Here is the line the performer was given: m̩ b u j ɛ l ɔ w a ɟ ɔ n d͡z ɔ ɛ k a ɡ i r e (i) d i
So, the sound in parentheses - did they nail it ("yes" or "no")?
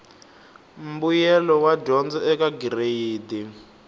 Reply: no